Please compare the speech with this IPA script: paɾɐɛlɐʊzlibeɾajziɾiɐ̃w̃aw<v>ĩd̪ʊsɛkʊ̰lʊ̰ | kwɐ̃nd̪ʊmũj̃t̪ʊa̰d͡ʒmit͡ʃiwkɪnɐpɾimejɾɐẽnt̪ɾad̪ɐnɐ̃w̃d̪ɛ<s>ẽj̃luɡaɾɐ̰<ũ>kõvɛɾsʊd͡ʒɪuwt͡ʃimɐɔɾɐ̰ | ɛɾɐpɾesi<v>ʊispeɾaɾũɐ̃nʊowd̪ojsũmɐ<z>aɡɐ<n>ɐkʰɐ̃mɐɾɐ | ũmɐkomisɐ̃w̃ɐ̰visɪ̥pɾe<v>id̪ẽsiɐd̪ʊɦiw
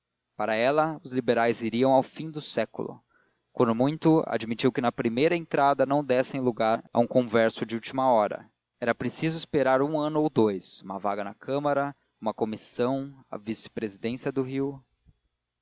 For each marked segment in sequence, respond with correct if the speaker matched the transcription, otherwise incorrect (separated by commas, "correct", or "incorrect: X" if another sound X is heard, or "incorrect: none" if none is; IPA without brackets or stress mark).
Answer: incorrect: f, correct, correct, incorrect: z, incorrect: v, correct, incorrect: z